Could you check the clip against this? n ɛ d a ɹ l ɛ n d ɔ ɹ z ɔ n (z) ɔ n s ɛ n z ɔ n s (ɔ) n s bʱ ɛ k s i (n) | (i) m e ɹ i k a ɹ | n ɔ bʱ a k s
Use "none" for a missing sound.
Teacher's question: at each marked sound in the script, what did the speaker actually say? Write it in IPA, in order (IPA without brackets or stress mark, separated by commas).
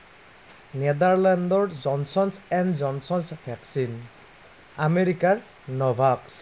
s, ɔ, n, a